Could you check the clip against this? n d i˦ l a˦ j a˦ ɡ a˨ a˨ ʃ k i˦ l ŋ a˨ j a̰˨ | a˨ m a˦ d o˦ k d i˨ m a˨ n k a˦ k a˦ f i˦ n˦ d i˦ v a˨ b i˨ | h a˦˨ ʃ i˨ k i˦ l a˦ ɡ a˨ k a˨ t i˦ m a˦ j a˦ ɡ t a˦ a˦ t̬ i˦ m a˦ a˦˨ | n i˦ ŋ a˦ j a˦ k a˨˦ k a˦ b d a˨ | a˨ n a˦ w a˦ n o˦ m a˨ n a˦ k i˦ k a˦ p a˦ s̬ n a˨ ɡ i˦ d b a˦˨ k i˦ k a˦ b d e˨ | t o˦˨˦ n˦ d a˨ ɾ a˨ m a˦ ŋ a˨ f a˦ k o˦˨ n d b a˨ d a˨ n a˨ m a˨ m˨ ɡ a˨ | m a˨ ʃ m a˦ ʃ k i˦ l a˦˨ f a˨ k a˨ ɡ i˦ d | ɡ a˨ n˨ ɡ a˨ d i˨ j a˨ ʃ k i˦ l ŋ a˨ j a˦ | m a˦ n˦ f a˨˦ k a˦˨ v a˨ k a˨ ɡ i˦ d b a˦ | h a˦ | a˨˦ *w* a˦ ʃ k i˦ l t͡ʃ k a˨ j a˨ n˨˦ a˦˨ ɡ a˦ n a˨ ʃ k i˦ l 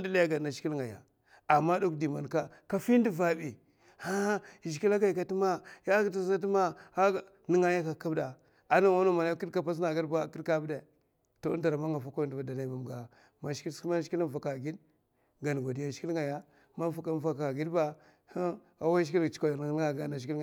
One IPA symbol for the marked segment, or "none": w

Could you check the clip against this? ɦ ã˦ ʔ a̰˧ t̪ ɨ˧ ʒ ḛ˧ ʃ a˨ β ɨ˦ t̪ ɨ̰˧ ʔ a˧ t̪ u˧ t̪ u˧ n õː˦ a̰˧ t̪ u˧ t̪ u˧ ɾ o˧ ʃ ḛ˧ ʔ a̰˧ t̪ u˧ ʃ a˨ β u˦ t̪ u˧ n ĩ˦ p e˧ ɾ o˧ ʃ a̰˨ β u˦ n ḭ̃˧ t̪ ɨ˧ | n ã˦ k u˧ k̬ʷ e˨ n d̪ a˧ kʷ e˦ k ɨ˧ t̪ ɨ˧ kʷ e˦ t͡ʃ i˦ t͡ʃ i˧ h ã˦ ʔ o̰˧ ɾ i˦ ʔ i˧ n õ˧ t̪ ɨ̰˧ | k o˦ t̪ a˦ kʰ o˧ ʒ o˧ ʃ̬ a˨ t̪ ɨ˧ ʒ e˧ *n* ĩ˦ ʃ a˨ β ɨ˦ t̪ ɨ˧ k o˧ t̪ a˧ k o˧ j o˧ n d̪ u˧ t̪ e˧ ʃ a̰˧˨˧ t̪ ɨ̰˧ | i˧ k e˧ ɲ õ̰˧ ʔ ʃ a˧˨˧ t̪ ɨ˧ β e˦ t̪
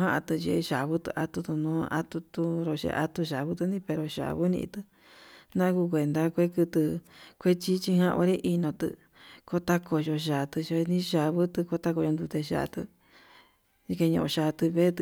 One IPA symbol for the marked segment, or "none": n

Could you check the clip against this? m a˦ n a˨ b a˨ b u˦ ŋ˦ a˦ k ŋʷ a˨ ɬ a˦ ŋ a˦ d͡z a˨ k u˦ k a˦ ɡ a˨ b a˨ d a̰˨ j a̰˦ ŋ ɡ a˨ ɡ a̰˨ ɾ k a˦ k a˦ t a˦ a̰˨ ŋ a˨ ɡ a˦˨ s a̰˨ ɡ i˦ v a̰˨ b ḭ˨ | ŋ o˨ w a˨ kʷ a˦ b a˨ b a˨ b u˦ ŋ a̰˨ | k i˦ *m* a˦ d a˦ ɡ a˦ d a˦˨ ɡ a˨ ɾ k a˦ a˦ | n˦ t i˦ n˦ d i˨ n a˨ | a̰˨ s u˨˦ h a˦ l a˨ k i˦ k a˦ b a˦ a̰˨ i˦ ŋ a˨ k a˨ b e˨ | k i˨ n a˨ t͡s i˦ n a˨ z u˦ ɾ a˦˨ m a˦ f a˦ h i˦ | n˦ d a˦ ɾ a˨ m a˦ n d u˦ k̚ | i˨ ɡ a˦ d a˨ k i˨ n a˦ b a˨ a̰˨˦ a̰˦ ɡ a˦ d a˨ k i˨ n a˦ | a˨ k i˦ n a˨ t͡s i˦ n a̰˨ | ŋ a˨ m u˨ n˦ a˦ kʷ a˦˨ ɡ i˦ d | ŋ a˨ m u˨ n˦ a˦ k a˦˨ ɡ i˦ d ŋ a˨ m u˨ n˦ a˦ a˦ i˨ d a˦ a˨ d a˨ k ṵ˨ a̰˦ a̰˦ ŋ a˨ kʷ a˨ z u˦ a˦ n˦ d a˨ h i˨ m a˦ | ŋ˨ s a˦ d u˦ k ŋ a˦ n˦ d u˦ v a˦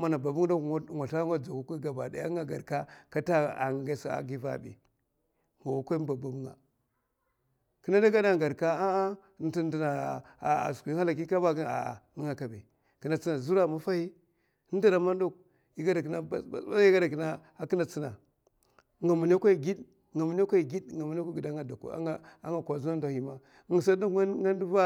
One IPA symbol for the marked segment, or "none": n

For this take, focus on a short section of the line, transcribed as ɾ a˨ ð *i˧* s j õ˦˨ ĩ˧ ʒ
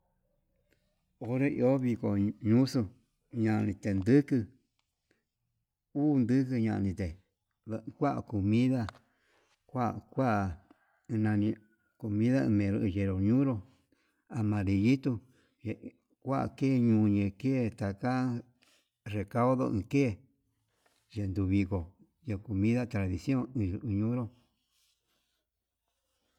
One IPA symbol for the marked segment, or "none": i˧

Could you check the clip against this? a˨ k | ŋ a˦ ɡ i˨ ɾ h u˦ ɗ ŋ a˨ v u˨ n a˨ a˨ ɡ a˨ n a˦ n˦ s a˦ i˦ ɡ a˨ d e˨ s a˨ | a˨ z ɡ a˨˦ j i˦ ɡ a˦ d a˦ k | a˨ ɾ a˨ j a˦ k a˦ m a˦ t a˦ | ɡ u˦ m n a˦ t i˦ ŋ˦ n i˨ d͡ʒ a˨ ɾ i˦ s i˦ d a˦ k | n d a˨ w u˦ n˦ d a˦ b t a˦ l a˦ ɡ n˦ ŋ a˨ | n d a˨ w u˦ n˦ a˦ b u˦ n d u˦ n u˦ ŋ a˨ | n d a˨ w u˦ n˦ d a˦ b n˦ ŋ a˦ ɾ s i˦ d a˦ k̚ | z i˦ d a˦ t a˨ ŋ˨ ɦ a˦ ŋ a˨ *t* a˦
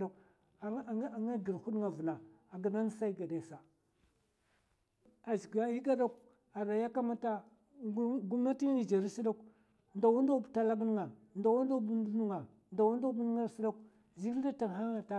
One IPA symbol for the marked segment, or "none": t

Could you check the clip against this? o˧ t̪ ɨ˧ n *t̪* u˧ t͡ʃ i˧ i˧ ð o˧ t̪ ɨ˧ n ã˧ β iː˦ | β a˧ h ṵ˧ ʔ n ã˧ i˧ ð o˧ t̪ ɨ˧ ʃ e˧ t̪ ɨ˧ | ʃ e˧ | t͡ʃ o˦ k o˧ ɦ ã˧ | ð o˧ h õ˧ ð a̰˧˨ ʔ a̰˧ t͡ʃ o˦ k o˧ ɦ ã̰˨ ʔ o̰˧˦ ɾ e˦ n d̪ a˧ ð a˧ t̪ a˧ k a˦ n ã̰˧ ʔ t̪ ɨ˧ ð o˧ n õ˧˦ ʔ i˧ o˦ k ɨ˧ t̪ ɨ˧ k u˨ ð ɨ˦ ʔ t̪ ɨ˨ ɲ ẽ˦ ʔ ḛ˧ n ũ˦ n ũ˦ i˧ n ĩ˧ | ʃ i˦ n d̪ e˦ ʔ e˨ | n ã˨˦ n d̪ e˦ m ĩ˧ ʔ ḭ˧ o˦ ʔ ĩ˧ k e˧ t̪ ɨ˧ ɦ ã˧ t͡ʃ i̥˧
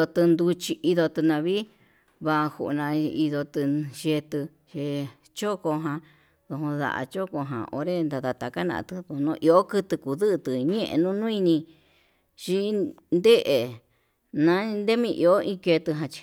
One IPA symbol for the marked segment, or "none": d̪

